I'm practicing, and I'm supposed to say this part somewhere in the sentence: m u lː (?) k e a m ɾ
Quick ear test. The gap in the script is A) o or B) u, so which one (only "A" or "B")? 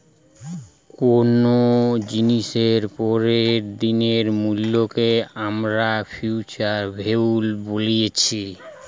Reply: A